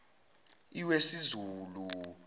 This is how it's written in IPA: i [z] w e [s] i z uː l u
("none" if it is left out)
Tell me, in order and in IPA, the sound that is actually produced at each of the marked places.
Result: none, s

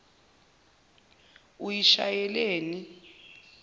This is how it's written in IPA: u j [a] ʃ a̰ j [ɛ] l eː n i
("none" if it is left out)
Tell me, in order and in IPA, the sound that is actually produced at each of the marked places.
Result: i, ɛ

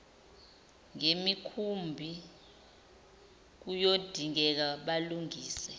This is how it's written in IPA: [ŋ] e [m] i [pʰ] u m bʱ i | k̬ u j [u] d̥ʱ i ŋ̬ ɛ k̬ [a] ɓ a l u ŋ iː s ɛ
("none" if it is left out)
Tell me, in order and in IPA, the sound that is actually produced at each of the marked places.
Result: ŋ, m, kʰ, o, a

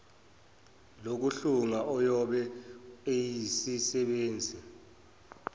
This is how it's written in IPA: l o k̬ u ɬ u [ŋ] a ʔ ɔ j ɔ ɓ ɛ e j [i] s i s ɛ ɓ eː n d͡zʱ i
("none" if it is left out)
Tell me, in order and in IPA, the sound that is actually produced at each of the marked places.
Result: ŋ, i

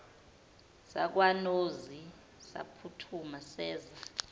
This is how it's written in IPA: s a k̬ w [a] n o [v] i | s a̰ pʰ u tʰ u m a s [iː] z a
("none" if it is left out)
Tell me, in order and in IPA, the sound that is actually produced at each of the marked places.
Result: a, z, ɛː

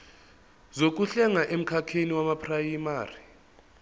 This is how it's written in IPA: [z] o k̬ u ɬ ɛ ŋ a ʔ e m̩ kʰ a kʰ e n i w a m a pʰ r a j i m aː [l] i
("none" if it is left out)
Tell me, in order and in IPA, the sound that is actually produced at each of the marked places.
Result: z, r

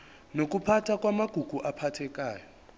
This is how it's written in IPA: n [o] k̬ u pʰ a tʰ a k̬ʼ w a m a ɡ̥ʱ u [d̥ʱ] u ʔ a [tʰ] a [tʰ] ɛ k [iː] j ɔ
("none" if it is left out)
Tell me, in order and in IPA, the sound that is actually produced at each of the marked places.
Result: o, ɡ̥ʱ, pʰ, tʰ, aː

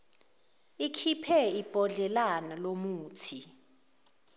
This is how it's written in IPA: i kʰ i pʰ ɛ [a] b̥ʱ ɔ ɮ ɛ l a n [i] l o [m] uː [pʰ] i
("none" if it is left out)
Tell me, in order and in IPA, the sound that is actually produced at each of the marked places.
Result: i, a, m, tʰ

